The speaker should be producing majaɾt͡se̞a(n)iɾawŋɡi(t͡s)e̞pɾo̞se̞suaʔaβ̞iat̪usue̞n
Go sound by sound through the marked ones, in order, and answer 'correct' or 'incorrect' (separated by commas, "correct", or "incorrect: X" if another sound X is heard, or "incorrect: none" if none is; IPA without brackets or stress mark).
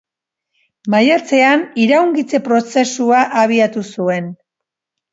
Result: correct, correct